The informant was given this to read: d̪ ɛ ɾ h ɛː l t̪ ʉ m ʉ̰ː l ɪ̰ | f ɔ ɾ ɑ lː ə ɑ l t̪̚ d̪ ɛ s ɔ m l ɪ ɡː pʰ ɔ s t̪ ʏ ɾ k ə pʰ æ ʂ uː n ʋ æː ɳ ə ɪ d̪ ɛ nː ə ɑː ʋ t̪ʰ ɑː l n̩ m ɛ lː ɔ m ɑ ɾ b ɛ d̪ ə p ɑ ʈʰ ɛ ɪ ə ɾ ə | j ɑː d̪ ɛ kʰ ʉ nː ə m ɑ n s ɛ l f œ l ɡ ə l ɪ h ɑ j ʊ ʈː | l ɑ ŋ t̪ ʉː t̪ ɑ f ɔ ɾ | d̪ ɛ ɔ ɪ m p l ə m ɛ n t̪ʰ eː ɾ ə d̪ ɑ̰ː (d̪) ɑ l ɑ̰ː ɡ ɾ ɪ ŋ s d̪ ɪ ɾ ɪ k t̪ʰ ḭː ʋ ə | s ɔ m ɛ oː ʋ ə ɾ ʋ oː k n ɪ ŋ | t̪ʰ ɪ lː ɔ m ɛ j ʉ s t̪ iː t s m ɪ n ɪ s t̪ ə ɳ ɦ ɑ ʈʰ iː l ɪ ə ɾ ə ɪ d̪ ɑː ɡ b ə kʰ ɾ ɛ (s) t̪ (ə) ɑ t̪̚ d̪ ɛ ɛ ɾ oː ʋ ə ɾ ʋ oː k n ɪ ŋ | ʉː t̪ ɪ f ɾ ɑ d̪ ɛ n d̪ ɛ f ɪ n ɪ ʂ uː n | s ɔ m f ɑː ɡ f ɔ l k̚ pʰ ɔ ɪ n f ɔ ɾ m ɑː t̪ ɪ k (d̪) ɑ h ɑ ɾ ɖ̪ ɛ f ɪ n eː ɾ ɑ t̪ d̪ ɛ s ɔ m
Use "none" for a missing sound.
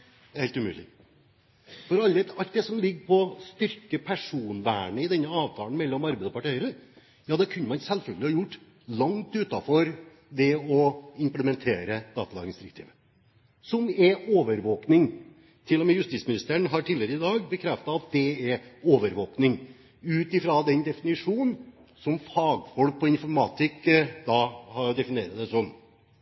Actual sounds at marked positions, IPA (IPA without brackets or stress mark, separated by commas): t̪, f, ɑ, d̪